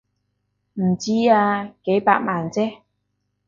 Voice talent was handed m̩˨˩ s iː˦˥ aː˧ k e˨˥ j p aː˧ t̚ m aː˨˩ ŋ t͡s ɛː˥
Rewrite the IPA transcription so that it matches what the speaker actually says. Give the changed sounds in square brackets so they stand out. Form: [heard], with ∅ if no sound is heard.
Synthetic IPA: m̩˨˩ [t͡s] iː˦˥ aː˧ k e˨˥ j p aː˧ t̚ m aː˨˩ [n] t͡s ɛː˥